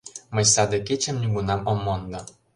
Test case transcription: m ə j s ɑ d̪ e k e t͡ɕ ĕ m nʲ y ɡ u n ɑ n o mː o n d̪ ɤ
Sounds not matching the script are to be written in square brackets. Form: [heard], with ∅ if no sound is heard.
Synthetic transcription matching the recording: m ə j s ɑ d̪ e k e t͡ɕ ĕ m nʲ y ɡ u n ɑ [m] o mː o n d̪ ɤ